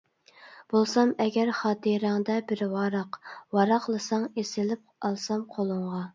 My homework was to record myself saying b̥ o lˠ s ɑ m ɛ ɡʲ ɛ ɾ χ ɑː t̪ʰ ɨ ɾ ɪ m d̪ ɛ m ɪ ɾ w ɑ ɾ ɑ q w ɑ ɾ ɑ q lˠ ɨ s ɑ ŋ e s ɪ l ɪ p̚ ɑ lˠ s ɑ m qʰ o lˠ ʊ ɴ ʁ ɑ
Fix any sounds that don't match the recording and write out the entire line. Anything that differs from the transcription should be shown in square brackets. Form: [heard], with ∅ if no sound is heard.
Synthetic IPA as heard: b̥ o lˠ s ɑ m ɛ ɡʲ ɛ ɾ χ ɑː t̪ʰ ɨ ɾ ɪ [ŋ] d̪ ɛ [b] ɪ ɾ w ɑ ɾ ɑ q w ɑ ɾ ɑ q lˠ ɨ s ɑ ŋ e s ɪ l ɪ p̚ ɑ lˠ s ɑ m qʰ o lˠ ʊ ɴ ʁ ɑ